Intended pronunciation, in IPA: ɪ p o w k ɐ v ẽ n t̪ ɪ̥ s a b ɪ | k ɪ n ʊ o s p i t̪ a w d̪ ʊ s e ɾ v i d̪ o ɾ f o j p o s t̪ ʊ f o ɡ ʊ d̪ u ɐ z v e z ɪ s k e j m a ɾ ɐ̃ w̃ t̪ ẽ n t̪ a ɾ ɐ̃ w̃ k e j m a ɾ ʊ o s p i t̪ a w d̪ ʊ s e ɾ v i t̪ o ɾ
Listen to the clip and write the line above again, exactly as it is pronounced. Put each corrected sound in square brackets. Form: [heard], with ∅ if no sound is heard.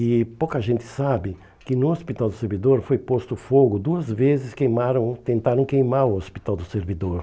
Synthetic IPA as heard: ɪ p o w k ɐ [ʒ] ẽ n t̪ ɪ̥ s a b ɪ | k ɪ n ʊ o s p i t̪ a w d̪ ʊ s e ɾ v i d̪ o ɾ f o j p o s t̪ ʊ f o ɡ ʊ d̪ u ɐ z v e z ɪ s k e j m a ɾ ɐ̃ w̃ t̪ ẽ n t̪ a ɾ ɐ̃ w̃ k e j m a ɾ ʊ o s p i t̪ a w d̪ ʊ s e ɾ v i [d̪] o ɾ